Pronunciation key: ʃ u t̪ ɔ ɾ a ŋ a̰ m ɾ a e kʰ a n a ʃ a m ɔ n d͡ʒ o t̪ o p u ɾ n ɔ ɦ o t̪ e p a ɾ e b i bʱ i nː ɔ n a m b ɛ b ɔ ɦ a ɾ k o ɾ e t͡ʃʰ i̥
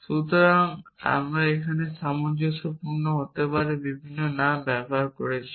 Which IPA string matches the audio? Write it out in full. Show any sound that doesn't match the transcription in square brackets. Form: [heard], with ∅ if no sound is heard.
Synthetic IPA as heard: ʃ u t̪ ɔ ɾ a ŋ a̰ m ɾ a e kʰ a n [e] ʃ a m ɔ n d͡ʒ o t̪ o p u ɾ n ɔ ɦ o t̪ e p a ɾ e b i bʱ i nː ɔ n a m b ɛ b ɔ ɦ a ɾ k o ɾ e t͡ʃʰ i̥